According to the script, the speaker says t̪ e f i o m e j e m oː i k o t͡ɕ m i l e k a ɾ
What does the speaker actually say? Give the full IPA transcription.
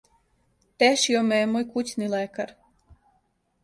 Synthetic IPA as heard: t̪ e ʃ i o m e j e m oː j k u t͡ɕ n i l e k a ɾ